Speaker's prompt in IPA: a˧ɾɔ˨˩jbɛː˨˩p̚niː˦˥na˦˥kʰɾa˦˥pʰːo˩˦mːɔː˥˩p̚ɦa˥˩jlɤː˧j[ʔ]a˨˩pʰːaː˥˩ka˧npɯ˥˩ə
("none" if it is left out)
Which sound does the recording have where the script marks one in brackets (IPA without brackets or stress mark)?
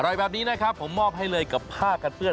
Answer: k